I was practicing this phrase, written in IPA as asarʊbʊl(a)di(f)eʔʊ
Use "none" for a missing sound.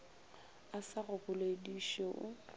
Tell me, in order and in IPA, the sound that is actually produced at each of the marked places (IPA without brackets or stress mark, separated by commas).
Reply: e, ʃ